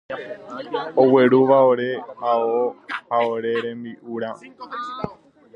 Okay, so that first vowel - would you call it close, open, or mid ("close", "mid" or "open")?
mid